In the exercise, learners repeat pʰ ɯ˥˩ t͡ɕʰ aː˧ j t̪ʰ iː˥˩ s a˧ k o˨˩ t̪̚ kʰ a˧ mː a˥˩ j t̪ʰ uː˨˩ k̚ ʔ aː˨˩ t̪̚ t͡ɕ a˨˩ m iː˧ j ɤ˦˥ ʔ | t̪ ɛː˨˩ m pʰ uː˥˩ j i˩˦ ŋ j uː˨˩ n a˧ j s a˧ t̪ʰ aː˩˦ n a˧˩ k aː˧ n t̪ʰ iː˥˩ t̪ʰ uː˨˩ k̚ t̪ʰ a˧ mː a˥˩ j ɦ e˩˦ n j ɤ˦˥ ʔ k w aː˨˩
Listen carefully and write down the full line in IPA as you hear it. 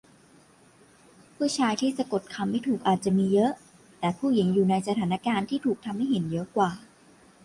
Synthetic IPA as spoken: pʰ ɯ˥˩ t͡ɕʰ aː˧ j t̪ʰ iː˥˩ s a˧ k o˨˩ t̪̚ kʰ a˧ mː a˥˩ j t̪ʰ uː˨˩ k̚ ʔ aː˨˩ t̪̚ t͡ɕ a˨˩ m iː˧ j ɤ˦˥ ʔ | t̪ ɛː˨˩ pʰ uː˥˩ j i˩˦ ŋ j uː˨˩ n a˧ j s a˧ t̪ʰ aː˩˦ n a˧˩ k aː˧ n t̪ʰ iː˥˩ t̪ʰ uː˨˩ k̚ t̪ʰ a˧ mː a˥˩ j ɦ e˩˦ n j ɤ˦˥ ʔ k w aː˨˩